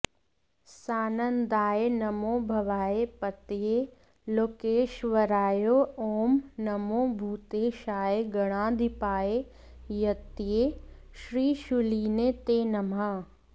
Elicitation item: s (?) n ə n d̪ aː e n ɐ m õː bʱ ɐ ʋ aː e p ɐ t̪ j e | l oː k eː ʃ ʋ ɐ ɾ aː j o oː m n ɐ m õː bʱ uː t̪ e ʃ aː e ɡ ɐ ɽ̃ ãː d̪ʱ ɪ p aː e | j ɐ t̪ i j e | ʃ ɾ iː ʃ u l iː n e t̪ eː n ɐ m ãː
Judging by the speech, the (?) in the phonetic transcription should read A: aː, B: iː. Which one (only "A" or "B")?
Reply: A